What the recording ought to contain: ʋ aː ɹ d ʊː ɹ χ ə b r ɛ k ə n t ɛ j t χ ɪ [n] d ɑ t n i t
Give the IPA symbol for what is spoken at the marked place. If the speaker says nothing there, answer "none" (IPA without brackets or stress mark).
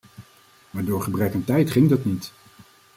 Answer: ŋ